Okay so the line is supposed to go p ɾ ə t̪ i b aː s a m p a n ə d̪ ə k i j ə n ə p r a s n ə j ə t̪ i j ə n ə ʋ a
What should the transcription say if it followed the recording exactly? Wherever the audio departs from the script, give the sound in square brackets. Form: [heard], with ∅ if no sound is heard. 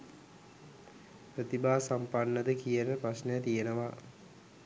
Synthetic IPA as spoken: p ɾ ə t̪ i b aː s a m p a [nː] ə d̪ ə k i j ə n ə p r a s n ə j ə t̪ i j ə n ə ʋ a